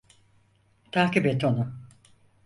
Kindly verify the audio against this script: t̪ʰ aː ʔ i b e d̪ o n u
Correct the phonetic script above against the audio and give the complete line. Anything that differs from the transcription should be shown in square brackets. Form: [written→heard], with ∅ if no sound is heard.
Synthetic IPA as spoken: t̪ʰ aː [ʔ→k] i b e [d̪→t̪] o n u